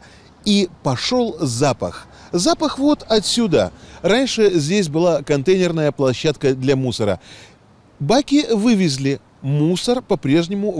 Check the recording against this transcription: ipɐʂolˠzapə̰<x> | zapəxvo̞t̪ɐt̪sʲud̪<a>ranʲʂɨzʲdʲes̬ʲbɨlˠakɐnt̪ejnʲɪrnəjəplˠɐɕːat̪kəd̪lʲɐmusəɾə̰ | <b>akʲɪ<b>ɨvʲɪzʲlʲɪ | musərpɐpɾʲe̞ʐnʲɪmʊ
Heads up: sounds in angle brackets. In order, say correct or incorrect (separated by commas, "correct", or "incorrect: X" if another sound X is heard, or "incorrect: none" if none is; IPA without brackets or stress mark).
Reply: correct, incorrect: ə, correct, incorrect: v